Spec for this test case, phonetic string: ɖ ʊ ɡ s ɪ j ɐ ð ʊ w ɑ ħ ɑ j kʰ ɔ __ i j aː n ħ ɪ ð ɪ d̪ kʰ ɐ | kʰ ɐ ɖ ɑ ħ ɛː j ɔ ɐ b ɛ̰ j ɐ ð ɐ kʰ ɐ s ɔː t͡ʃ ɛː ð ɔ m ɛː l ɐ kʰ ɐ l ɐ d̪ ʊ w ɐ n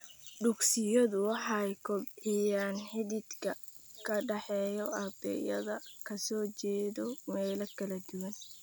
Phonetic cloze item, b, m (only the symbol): b